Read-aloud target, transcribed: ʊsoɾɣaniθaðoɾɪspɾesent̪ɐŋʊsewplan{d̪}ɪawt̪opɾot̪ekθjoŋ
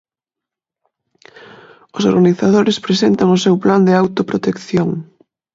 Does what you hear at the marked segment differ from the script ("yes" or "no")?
no